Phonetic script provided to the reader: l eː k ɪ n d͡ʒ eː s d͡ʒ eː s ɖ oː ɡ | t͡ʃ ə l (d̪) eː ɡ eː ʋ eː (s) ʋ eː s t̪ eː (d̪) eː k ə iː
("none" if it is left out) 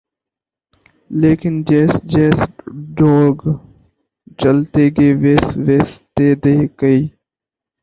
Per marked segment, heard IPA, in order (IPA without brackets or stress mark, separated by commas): t̪, s, d̪